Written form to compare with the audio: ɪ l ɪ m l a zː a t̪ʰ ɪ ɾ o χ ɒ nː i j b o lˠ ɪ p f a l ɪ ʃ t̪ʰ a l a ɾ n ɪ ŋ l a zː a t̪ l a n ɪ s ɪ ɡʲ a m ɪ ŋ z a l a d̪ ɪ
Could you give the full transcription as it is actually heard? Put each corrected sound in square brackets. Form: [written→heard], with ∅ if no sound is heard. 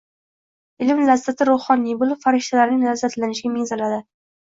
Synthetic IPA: ɪ l ɪ m l a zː a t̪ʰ ɪ ɾ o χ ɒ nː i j b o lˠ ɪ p f a [l→ɾ] ɪ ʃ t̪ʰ a l a ɾ n ɪ ŋ l a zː a t̪ l a n ɪ [s→ʃ] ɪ ɡʲ a m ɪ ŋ z a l a d̪ ɪ